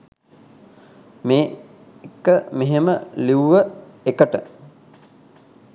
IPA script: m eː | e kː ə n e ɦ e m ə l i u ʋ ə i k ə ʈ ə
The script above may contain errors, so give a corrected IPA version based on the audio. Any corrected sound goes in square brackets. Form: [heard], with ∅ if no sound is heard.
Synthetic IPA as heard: m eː | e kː ə [m] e ɦ e m ə l i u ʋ ə [e] k ə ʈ ə